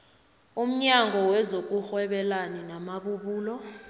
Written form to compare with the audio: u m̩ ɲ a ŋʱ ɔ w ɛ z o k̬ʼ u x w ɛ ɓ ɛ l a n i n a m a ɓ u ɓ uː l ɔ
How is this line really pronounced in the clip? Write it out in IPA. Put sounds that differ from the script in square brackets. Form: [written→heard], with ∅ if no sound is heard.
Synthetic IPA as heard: u m̩ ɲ a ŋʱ ɔ w ɛ z o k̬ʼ u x w ɛ ɓ ɛ l a n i n a m a ɓ u ɓ uː l ɔ